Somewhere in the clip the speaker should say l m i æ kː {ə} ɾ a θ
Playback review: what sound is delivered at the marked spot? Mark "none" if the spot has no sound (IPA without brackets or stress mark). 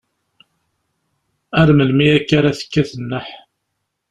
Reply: a